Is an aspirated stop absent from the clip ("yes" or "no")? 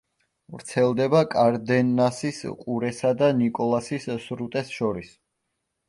yes